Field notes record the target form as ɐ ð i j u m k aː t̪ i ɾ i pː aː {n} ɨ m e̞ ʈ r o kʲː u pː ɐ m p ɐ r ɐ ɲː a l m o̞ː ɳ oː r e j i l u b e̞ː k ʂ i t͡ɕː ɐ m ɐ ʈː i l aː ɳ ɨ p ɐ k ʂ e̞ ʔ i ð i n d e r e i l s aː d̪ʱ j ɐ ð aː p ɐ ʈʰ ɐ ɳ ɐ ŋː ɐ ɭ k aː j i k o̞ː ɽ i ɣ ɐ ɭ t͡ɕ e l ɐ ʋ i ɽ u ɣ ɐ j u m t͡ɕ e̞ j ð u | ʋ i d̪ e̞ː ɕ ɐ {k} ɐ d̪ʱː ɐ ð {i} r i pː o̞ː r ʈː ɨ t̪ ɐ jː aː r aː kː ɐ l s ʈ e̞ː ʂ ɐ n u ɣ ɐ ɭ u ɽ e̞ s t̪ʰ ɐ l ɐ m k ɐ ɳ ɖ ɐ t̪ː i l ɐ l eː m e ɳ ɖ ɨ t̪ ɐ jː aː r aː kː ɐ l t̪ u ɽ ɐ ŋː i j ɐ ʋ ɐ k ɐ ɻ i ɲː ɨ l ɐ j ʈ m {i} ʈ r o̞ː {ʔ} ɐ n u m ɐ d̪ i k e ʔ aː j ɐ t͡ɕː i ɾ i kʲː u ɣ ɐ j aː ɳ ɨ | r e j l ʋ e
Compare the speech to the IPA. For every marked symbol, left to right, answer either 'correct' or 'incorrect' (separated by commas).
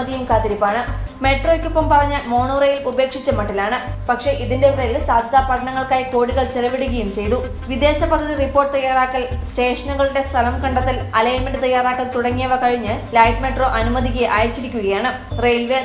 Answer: incorrect, incorrect, correct, incorrect, correct